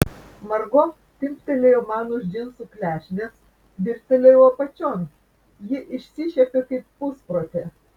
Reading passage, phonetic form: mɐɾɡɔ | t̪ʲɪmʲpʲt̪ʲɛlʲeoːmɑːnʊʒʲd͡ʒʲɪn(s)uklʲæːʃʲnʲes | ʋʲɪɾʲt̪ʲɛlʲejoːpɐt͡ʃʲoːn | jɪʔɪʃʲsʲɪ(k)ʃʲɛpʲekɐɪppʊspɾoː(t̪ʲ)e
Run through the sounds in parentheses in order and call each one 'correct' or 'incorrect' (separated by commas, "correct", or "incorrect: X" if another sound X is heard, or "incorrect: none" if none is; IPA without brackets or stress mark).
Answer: correct, incorrect: none, correct